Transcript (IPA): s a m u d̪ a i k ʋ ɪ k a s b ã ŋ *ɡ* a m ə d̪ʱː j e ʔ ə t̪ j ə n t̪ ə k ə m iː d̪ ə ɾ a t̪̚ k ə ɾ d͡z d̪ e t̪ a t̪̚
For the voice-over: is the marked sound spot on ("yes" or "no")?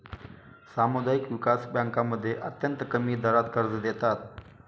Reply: no